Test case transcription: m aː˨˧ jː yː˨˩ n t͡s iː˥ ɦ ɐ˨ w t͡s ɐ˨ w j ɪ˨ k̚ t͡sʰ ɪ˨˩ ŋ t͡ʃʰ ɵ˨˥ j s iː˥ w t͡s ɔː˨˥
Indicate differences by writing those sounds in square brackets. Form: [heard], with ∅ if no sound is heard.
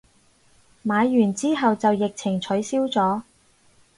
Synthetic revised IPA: m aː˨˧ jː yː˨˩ n t͡s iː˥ ɦ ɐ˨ w t͡s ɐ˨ w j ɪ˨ k̚ t͡sʰ ɪ˨˩ ŋ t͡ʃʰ ɵ˨˥ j s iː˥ w t͡s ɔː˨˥